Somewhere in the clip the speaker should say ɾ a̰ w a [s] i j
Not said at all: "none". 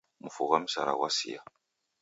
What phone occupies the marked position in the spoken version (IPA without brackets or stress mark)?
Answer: s